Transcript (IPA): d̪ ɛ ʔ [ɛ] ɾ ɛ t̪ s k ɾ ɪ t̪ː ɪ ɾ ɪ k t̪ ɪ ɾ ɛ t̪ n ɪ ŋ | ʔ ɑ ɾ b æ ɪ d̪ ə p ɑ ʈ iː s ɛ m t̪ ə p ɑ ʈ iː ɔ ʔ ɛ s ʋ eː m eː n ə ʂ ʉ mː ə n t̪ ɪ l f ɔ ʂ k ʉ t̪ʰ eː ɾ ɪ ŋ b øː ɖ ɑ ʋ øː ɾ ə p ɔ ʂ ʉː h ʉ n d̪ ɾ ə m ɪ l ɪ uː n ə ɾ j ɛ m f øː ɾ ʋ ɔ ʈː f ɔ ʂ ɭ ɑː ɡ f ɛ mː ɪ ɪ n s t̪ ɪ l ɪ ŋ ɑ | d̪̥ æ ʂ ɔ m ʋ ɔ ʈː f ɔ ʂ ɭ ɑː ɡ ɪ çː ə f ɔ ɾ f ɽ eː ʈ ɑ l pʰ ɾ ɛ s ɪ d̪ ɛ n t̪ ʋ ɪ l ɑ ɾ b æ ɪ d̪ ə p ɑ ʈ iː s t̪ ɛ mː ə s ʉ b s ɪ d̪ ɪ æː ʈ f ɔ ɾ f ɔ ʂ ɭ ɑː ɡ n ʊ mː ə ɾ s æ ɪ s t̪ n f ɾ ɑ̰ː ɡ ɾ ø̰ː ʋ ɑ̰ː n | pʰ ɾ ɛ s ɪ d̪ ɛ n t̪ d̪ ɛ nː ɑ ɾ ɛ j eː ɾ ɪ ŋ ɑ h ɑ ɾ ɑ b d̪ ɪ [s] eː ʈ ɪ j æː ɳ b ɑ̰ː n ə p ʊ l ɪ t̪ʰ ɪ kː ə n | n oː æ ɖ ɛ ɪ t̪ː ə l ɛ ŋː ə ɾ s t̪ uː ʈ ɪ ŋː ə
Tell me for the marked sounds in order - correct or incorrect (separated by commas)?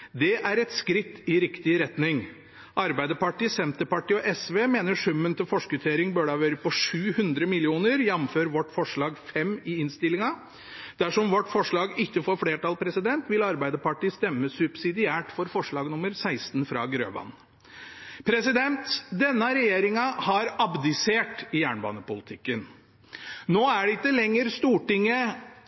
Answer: incorrect, correct